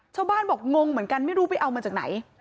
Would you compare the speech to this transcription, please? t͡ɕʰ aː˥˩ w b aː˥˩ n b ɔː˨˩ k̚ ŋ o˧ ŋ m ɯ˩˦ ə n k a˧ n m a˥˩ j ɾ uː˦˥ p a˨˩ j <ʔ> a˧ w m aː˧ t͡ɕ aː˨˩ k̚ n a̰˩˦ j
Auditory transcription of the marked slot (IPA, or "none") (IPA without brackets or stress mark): ʔ